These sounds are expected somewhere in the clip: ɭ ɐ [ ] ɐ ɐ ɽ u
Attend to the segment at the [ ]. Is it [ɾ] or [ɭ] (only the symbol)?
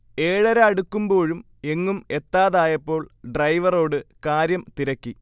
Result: ɾ